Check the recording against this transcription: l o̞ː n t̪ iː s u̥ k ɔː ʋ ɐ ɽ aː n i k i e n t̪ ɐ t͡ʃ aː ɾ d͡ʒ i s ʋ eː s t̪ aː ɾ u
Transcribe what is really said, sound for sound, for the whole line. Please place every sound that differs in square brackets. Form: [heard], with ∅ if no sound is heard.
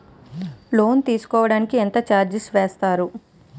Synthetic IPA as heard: l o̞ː n t̪ iː s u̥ k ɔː ʋ ɐ ɽ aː n i k i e n t̪ ɐ t͡ʃ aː ɾ d͡ʒ i s ʋ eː s t̪ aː ɾ u